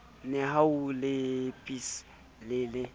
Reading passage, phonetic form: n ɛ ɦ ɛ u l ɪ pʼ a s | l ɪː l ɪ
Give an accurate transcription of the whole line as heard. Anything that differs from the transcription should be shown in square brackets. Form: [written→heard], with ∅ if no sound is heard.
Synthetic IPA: n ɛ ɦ [ɛ→a] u l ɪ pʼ [a→i] s | l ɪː l ɪ

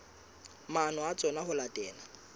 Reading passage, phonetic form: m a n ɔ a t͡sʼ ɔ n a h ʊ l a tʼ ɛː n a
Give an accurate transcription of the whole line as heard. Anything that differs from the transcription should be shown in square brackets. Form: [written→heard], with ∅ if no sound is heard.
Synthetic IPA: m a n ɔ a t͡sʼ ɔ n a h ʊ l a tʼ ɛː n a

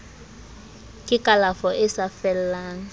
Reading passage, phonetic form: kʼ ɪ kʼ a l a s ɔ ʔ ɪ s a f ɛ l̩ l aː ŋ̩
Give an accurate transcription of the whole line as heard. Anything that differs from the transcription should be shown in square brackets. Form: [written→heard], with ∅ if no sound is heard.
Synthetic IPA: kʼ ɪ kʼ a l a [s→f] ɔ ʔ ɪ s a f ɛ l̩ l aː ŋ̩

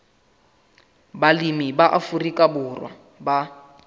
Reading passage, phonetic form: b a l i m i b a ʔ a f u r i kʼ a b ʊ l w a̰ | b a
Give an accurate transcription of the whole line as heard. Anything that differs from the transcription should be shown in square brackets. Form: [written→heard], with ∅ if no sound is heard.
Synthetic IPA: b a l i m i b a ʔ a f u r i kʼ a b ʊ [l→r] w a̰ | b a

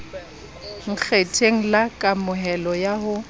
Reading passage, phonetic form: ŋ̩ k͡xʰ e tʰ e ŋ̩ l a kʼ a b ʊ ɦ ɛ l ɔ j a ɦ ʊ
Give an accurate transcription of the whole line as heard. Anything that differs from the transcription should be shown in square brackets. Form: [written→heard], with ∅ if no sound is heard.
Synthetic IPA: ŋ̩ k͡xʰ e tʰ e ŋ̩ l a kʼ a [b→m] ʊ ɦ ɛ l ɔ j a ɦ ʊ

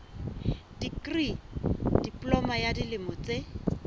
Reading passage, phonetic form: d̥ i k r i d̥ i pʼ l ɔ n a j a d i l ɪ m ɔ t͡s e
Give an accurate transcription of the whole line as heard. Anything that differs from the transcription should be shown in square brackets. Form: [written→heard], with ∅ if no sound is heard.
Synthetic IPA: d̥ i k r i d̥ i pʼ l ɔ [n→m] a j a d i l ɪ m ɔ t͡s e

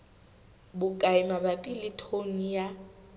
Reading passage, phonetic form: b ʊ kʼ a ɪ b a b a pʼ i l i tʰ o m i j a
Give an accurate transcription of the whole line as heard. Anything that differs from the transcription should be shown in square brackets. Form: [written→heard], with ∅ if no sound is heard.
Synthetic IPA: b ʊ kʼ a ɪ [b→m] a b a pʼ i l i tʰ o [m→n] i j a

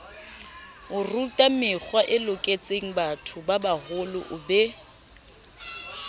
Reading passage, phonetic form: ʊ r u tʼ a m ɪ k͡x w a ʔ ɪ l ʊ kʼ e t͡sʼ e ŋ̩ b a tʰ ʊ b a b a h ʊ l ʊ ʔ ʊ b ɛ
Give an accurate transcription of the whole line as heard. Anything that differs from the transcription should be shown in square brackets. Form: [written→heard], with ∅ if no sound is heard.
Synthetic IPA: ʊ r u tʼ a m ɪ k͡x w a ʔ ɪ l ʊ kʼ e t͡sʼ e ŋ̩ b a tʰ ʊ b a b a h ʊ l ʊ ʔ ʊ b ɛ

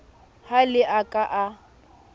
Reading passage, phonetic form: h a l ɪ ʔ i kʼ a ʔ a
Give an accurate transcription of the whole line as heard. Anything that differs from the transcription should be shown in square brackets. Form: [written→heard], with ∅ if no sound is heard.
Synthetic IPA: h a l ɪ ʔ [i→a] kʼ a ʔ a

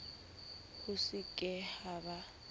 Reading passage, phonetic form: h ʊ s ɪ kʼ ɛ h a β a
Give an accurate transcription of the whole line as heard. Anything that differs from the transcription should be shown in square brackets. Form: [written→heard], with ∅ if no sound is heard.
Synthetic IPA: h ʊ s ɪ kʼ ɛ h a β a

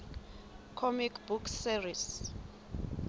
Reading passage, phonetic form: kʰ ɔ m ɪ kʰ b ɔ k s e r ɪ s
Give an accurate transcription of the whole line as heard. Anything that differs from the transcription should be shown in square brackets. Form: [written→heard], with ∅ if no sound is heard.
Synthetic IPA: kʰ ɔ m [ɪ→i] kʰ b [ɔ→u] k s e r [ɪ→i] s

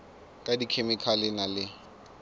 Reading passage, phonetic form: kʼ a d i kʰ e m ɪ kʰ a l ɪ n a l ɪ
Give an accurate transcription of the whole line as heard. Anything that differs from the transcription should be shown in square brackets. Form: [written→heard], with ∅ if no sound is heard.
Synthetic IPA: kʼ a d i kʰ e m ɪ kʰ a l ɪ n a l ɪ

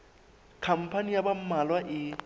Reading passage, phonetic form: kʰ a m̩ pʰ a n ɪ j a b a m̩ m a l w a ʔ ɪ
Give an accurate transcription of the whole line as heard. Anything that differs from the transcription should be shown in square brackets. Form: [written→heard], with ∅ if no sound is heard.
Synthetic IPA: kʰ a m̩ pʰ a n [ɪ→i] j a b a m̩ m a l w a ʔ ɪ

